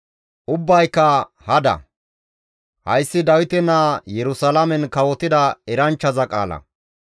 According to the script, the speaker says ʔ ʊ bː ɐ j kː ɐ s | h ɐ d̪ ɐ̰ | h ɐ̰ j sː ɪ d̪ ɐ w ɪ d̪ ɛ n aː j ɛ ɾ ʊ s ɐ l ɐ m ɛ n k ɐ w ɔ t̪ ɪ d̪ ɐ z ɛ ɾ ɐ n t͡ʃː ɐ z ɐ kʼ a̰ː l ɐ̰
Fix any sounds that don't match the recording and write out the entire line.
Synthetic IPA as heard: ʔ ʊ bː ɐ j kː ɐ | h ɐ d̪ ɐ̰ | h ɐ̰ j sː ɪ d̪ ɐ w ɪ t̪ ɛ n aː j ɛ ɾ ʊ s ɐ l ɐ m ɛ n k ɐ w ɔ t̪ ɪ d̪ ɐ ɛ ɾ ɐ n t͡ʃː ɐ z ɐ kʼ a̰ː l ɐ̰